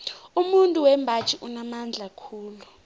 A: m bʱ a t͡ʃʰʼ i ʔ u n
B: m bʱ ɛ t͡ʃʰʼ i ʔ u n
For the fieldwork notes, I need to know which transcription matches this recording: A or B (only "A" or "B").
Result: A